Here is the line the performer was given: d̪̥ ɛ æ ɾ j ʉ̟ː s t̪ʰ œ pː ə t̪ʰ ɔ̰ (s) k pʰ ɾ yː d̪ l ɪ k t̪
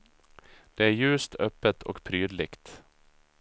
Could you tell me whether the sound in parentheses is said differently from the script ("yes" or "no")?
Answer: yes